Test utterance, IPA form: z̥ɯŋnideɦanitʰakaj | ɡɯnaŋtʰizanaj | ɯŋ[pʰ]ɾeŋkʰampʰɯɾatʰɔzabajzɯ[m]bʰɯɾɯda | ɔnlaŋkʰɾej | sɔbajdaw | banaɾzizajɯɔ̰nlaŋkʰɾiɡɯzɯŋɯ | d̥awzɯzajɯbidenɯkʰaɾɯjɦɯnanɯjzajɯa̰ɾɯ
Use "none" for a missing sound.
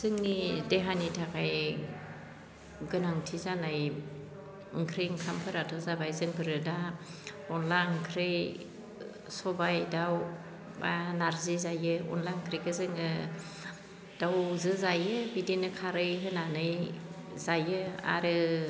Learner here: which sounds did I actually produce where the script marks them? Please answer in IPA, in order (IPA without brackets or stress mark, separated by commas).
kʰ, ŋ